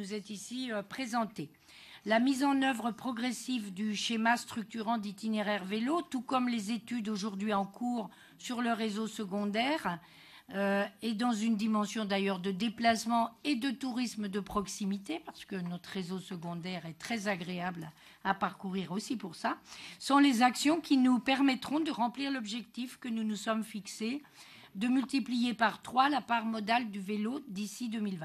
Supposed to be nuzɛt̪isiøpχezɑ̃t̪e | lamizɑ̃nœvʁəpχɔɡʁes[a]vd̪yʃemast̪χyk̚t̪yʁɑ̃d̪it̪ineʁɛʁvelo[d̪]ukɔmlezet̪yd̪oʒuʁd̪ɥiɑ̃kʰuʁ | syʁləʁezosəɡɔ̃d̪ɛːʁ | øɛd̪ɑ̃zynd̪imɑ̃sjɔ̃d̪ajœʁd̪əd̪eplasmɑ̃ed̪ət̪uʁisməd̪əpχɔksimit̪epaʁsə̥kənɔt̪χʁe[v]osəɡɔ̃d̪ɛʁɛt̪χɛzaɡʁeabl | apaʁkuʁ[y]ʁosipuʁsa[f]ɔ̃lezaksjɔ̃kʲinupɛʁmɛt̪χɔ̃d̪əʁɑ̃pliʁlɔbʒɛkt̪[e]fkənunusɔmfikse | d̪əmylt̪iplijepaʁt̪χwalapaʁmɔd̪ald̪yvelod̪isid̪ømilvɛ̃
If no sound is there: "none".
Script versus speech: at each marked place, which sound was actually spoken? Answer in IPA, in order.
i, t̪, z, i, s, i

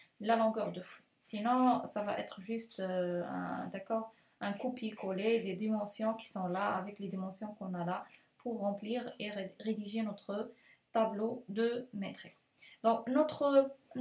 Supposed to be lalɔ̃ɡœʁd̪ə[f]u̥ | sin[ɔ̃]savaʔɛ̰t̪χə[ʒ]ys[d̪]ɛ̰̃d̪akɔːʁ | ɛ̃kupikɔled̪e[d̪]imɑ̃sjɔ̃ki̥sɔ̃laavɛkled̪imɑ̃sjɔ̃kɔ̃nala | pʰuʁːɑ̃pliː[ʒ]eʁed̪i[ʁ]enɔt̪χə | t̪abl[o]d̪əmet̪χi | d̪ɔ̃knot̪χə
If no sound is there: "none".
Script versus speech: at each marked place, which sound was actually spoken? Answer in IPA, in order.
f, ɔ̃, ʒ, t̪, d̪, ʁ, ʒ, o

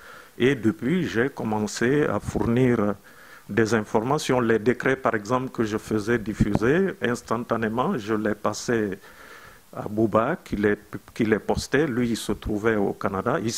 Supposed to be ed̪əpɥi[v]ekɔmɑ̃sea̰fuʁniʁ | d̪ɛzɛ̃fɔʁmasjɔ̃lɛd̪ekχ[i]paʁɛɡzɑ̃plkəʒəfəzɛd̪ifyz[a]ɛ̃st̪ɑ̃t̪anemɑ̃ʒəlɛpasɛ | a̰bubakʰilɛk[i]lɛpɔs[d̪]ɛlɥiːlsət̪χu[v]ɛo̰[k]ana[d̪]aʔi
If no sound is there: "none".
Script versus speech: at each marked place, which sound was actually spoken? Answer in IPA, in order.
ʒ, ɛ, e, i, t̪, v, k, d̪

